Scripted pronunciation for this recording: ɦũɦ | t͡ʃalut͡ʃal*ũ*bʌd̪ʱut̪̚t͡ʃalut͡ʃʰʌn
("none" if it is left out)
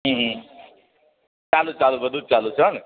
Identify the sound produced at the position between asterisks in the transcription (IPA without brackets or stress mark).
u